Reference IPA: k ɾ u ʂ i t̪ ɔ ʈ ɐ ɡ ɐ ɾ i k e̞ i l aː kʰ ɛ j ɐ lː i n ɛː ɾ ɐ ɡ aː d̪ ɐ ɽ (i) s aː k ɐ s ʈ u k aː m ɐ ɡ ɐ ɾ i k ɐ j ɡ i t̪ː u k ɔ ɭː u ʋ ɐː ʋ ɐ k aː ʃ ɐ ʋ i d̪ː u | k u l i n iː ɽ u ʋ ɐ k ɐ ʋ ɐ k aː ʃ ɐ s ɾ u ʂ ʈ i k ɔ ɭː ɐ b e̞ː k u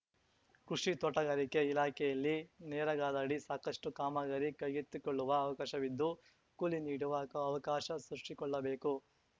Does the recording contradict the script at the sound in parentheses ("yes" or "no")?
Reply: no